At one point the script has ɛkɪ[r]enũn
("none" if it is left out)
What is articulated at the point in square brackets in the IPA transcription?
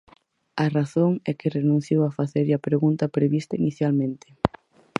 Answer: r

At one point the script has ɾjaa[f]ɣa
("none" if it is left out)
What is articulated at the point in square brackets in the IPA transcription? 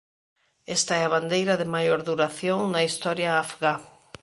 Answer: f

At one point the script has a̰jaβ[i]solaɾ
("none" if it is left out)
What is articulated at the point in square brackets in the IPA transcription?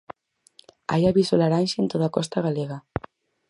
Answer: i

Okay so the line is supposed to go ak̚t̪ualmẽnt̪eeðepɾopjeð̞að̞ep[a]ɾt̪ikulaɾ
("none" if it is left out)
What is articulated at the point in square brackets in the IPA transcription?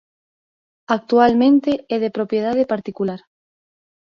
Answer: a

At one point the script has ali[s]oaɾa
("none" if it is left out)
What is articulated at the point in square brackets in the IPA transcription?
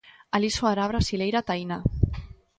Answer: s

